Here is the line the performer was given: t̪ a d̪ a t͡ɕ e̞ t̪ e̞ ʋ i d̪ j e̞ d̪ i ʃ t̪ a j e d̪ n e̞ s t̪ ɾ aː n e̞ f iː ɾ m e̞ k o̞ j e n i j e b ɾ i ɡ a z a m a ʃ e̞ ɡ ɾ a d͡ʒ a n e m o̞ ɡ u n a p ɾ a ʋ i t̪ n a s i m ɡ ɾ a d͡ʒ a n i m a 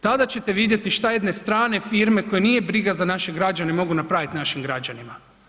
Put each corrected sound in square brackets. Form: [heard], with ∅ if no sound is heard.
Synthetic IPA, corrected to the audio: t̪ a d̪ a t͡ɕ e̞ t̪ e̞ ʋ i d̪ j e̞ [t̪] i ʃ t̪ a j e d̪ n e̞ s t̪ ɾ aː n e̞ f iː ɾ m e̞ k o̞ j e n i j e b ɾ i ɡ a z a [n] a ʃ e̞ ɡ ɾ a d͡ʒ a n e m o̞ ɡ u n a p ɾ a ʋ i t̪ n a [ʃ] i m ɡ ɾ a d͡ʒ a n i m a